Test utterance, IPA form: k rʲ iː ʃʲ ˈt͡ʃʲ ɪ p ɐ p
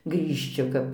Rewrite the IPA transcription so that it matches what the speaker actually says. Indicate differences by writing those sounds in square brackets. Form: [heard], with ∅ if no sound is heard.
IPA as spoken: [ɡ] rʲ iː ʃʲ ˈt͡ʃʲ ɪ [k] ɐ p